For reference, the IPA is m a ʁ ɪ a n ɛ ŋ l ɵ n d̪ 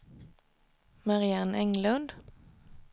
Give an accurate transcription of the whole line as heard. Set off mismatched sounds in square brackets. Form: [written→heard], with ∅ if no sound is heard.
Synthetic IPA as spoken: m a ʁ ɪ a n ɛ ŋ l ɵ n d̪

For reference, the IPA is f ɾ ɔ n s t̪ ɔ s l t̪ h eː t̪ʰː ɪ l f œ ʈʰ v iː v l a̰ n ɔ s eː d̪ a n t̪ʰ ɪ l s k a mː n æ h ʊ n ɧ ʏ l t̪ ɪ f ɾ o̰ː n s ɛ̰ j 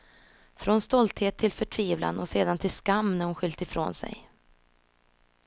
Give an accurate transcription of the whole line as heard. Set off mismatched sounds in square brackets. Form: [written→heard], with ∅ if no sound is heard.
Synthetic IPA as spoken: f ɾ ɔ n s t̪ ɔ [s→∅] l t̪ h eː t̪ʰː ɪ l f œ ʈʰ v iː v l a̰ n ɔ s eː d̪ a n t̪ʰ ɪ l s k a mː n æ h ʊ n ɧ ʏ l t̪ ɪ f ɾ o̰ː n s ɛ̰ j

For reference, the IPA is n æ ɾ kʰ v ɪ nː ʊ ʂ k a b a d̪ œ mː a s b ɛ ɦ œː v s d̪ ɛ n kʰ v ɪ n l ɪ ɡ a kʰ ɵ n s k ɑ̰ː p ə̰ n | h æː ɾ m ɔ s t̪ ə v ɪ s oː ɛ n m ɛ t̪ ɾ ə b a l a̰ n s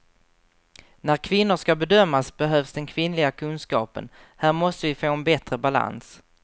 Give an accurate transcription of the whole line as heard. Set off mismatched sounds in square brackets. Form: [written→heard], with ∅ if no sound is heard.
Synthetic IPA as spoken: n æ ɾ kʰ v ɪ nː ʊ ʂ k a b [a→ɛ] d̪ œ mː a s b ɛ ɦ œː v s d̪ ɛ n kʰ v ɪ n l ɪ ɡ a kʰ ɵ n s k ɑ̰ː p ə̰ n | h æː ɾ m ɔ s t̪ ə v ɪ [s→f] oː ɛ n [m→b] ɛ t̪ ɾ ə b a l a̰ n s

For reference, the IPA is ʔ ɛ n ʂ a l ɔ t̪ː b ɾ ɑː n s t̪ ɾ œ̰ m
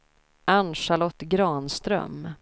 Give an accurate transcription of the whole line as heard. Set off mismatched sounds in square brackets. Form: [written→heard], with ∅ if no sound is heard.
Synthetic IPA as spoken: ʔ [ɛ→a] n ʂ a l ɔ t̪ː [b→ɡ] ɾ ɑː n s t̪ ɾ œ̰ m

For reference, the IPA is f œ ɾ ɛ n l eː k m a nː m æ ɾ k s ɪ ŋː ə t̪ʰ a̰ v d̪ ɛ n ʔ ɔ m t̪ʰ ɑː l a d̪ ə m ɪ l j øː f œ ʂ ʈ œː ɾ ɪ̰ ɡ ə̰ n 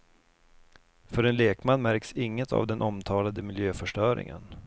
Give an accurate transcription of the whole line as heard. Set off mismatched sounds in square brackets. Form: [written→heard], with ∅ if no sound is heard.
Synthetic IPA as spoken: f œ ɾ ɛ n l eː k m a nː m æ ɾ k s ɪ ŋː ə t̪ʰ a̰ v d̪ ɛ n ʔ ɔ m t̪ʰ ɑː l a d̪ ə m ɪ l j øː f œ ʂ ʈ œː ɾ ɪ̰ [ɡ→ŋ] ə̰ n

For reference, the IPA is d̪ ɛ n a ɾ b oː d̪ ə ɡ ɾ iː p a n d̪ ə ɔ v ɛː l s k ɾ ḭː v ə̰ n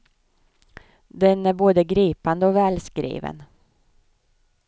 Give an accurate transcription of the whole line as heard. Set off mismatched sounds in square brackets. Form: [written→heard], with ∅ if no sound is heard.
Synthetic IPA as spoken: d̪ ɛ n [a→æ] ɾ b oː d̪ ə ɡ ɾ iː p a n d̪ ə ɔ v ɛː l s k ɾ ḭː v ə̰ n

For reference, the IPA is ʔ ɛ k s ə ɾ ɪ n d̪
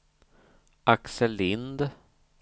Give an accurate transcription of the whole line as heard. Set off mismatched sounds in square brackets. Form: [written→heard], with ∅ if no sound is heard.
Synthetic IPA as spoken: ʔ [ɛ→a] k s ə [ɾ→l] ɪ n d̪

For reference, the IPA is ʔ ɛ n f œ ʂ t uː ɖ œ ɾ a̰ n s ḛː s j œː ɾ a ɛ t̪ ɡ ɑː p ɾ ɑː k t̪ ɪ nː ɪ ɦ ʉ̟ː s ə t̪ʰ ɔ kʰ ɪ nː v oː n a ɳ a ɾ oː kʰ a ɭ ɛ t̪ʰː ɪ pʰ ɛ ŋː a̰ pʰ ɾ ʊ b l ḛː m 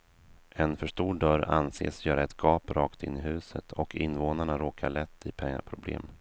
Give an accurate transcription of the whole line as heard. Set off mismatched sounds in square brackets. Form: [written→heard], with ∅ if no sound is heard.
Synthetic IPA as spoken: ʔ ɛ n f œ ʂ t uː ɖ œ ɾ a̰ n s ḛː s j œː ɾ a ɛ t̪ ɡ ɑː p ɾ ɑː k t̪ ɪ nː ɪ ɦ ʉ̟ː s ə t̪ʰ ɔ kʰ ɪ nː v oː n a ɳ a ɾ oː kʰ a ɭ ɛ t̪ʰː ɪ pʰ ɛ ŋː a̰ pʰ ɾ ʊ b l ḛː m

